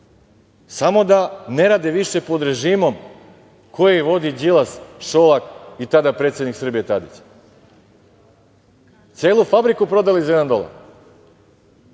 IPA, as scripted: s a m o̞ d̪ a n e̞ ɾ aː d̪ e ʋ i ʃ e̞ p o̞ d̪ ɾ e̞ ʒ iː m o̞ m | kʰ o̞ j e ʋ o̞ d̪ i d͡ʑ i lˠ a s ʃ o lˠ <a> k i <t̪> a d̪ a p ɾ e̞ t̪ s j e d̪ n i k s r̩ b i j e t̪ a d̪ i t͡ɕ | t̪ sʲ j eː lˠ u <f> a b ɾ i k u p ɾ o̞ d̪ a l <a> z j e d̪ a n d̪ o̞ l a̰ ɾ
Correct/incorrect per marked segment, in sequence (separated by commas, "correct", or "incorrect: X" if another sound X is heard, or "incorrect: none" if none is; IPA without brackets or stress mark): correct, correct, correct, incorrect: i